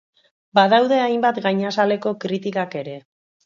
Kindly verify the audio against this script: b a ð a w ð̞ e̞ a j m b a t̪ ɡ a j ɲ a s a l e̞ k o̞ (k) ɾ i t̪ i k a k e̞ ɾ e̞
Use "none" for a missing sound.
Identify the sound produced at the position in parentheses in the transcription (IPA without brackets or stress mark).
k